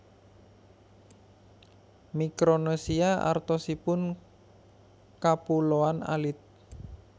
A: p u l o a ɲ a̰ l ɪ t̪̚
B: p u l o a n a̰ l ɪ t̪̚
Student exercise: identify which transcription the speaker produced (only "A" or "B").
B